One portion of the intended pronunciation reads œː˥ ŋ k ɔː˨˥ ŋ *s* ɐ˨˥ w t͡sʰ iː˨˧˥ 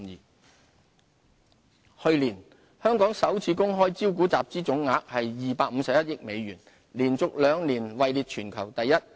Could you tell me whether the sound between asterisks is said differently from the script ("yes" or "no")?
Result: no